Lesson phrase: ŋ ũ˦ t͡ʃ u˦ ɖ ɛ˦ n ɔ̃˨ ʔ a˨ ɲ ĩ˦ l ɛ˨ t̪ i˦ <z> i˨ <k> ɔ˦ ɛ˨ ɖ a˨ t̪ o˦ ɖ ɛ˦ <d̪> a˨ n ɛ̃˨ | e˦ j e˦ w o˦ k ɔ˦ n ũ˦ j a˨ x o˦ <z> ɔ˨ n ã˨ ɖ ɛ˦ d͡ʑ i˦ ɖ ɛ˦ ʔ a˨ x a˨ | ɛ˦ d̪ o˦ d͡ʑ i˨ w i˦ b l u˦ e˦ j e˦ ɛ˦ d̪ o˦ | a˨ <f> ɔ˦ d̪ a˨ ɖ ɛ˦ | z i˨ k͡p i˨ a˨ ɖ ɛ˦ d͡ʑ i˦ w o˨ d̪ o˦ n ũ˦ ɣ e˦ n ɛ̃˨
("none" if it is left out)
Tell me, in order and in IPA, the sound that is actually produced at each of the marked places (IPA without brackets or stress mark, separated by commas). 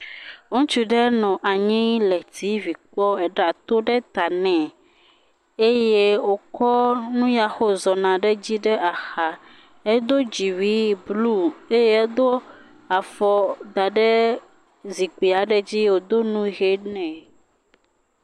v, k͡p, t̪, z, f